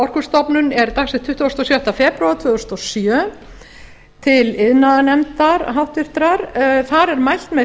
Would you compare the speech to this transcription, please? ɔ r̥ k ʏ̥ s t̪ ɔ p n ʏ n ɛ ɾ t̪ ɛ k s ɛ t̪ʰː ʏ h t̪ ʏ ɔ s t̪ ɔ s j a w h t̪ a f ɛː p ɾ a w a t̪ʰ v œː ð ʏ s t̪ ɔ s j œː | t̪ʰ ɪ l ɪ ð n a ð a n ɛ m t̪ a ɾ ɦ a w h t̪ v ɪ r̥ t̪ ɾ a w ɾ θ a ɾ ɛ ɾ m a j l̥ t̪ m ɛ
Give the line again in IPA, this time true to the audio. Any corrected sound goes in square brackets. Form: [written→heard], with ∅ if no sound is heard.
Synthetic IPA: ɔ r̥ k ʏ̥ s t̪ ɔ p n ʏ n ɛ ɾ t̪ [ɛ→a] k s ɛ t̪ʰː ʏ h t̪ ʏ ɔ s t̪ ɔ s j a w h t̪ a f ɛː p ɾ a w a t̪ʰ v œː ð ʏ s t̪ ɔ s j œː | t̪ʰ ɪ l ɪ ð n a ð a n ɛ m t̪ a ɾ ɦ a w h t̪ v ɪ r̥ t̪ ɾ a [w→∅] ɾ θ a ɾ ɛ ɾ m a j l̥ t̪ m ɛ